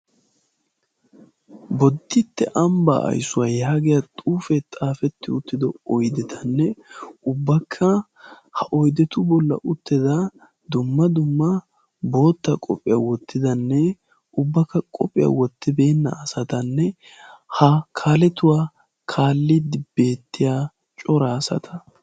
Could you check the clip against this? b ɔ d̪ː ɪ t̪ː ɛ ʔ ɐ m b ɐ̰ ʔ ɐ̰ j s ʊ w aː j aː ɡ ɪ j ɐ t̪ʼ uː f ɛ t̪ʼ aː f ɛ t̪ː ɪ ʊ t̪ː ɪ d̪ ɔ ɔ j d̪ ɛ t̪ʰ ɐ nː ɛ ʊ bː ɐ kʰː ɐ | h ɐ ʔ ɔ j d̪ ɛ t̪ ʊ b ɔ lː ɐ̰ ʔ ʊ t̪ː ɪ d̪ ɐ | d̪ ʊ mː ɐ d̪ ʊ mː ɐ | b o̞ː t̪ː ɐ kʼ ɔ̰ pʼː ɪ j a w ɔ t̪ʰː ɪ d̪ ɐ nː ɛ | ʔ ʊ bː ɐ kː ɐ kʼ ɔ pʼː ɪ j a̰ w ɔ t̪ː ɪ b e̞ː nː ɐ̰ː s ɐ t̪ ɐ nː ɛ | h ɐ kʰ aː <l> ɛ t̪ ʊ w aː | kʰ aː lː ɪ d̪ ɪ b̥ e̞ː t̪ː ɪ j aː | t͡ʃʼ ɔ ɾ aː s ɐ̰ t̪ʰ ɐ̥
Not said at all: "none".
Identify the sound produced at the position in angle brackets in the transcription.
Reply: l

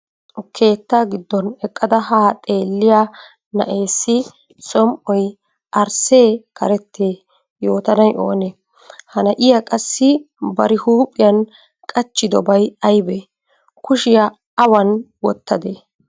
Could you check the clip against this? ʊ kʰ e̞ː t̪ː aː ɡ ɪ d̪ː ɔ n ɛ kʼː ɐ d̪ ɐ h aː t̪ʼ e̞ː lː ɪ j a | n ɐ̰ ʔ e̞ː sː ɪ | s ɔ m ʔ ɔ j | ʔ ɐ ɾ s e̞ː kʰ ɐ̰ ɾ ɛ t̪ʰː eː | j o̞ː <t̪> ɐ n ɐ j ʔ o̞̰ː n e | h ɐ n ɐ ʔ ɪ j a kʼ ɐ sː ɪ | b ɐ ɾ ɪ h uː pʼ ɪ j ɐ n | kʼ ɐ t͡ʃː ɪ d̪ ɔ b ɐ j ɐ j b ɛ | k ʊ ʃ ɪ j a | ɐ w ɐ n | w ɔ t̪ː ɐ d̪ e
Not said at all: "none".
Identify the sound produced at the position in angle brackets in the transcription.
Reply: t̪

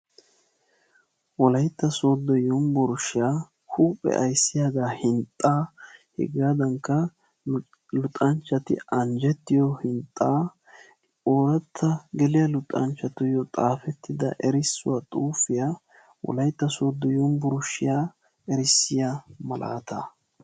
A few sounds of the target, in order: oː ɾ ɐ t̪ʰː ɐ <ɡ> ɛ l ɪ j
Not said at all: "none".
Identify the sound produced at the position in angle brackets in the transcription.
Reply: ɡ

